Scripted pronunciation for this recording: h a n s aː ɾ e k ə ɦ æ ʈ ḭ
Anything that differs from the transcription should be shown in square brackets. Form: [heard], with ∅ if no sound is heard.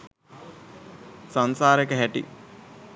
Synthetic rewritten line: [s] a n s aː ɾ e k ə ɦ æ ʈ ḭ